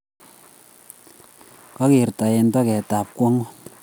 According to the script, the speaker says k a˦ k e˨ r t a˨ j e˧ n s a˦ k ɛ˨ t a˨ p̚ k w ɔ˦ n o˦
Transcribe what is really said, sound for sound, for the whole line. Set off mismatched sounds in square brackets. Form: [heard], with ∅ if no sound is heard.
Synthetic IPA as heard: k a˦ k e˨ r t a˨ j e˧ n [t] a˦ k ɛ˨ t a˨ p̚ k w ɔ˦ [ŋ] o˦